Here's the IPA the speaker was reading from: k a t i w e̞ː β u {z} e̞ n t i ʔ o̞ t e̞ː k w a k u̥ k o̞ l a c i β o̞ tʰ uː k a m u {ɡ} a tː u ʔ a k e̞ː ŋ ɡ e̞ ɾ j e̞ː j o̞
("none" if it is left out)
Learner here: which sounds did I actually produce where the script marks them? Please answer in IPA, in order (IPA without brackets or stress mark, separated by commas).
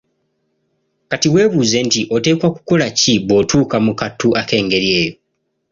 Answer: z, k